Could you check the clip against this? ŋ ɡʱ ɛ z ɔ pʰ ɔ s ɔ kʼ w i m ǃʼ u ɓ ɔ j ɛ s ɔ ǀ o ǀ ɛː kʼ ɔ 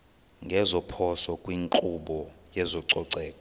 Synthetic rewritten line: ŋ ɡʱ ɛ z ɔ pʰ ɔ s ɔ kʼ w i ŋ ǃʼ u ɓ ɔ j ɛ z ɔ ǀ ɔ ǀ ɛː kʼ ɔ